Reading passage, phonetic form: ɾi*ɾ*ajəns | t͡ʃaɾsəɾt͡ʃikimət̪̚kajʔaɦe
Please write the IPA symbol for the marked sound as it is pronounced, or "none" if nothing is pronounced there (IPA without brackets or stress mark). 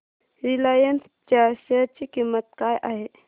l